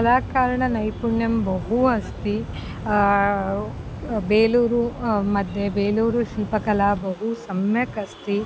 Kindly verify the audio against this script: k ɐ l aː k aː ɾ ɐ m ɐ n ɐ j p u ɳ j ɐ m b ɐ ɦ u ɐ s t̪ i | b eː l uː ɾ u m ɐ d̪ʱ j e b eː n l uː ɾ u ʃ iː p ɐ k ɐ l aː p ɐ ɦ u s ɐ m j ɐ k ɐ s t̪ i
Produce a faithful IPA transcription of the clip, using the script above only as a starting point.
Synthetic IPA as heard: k ɐ l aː k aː ɾ ɐ ɳ ɐ n ɐ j p u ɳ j ɐ m b ɐ ɦ u ɐ s t̪ i | b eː l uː ɾ u m ɐ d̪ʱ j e b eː l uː ɾ u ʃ iː p ɐ k ɐ l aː b ɐ ɦ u s ɐ m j ɐ k ɐ s t̪ i